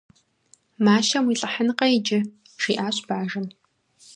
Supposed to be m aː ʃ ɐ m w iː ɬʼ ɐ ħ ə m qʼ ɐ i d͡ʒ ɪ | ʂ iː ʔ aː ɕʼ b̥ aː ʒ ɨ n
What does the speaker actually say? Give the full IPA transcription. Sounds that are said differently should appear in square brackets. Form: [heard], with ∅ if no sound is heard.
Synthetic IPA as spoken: m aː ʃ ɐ m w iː ɬʼ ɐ ħ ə [n] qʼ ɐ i d͡ʒ ɪ | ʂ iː ʔ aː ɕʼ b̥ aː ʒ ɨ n

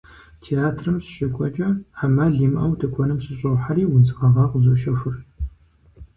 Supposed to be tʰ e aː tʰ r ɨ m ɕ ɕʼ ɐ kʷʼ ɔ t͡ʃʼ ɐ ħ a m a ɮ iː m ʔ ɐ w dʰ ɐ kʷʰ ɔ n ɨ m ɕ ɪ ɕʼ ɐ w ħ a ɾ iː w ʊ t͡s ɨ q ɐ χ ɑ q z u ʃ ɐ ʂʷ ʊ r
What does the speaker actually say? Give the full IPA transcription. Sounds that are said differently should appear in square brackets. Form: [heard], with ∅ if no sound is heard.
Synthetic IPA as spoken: tʰ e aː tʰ r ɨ m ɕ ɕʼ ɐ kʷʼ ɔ t͡ʃʼ ɐ ħ a m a ɮ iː m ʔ ɐ w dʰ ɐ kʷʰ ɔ n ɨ m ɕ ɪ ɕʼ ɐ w ħ a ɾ iː w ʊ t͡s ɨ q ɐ [ʁ] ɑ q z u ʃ ɐ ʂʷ ʊ r

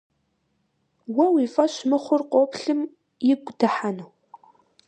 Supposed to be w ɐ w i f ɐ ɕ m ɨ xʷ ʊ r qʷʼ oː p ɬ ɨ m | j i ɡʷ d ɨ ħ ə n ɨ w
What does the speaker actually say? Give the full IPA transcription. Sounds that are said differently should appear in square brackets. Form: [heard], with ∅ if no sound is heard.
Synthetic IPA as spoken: w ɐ w i f ɐ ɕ m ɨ [χʷ] ʊ r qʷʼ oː p ɬ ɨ m | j [ɪ] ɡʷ d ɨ ħ [a] n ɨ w

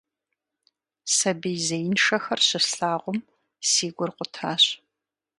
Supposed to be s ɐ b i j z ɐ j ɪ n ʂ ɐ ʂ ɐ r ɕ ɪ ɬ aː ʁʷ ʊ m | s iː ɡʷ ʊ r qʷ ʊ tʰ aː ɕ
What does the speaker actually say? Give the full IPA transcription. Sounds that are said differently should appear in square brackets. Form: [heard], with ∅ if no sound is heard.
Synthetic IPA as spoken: s ɐ b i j z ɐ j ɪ n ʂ ɐ [x] ɐ r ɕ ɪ ɬ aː ʁʷ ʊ m | s iː ɡʷ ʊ r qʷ ʊ tʰ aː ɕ

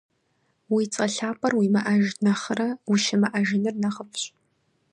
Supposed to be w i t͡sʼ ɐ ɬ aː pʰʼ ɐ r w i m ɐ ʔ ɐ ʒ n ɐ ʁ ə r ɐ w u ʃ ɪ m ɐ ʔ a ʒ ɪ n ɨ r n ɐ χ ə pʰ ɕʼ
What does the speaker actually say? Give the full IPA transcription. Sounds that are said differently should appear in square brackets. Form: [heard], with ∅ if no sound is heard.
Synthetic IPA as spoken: w i t͡sʼ ɐ ɬ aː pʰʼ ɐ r w i m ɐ ʔ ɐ ʒ n ɐ [χ] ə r ɐ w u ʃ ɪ m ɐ ʔ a ʒ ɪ n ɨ r n ɐ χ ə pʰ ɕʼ

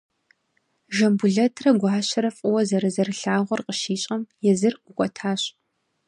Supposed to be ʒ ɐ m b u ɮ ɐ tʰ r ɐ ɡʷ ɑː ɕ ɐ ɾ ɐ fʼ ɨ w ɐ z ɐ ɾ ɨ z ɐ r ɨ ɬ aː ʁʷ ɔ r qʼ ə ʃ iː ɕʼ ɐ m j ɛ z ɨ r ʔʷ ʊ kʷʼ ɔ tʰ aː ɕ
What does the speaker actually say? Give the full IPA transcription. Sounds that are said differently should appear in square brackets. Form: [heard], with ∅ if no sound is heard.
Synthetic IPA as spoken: ʒ ɐ m b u ɮ ɐ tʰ r ɐ ɡʷ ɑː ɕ ɐ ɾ ɐ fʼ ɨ w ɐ z ɐ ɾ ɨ z ɐ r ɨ ɬ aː ʁʷ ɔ r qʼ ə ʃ iː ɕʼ ɐ m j ɛ z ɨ r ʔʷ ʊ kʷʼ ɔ tʰ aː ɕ

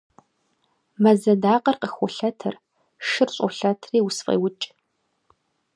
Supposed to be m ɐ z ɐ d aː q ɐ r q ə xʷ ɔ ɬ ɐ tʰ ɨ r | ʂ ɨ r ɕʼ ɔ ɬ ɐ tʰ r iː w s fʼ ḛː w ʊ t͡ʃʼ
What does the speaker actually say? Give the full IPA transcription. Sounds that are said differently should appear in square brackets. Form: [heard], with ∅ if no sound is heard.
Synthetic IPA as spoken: m ɐ z ɐ d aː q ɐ r q ə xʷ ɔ ɬ ɐ tʰ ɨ r | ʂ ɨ r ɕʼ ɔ ɬ ɐ tʰ r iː w s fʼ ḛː w ʊ t͡ʃʼ

